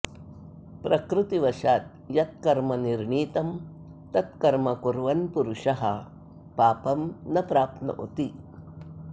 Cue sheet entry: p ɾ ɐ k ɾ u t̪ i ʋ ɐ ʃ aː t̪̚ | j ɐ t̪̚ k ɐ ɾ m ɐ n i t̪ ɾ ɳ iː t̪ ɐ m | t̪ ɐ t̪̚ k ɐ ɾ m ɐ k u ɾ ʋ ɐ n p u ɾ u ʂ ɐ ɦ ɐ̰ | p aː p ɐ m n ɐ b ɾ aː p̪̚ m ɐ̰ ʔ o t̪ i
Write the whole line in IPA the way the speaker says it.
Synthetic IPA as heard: p ɾ ɐ k ɾ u t̪ i ʋ ɐ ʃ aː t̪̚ | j ɐ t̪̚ k ɐ ɾ m ɐ n i ɾ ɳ iː t̪ ɐ m | t̪ ɐ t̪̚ k ɐ ɾ m ɐ k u ɾ ʋ ɐ n p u ɾ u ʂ ɐ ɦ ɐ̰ | p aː p ɐ m n ɐ p ɾ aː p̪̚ n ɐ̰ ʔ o t̪ i